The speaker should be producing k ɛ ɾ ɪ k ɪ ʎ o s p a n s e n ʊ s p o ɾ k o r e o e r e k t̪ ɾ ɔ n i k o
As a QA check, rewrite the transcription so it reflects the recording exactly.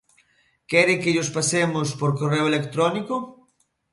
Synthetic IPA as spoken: k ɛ ɾ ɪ k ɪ ʎ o s p a s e m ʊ s p o ɾ k o r e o e l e k t̪ ɾ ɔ n i k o